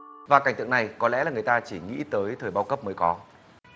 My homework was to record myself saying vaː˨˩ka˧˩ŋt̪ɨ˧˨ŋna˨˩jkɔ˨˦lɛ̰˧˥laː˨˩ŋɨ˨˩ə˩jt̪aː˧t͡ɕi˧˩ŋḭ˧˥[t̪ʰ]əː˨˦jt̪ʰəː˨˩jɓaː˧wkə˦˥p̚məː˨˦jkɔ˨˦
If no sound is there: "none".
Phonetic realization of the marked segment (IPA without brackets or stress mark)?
t̪